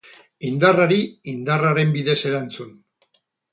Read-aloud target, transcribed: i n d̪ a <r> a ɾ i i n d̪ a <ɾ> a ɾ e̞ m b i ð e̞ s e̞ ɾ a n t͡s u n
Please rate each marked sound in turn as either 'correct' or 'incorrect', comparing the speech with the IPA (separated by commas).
correct, incorrect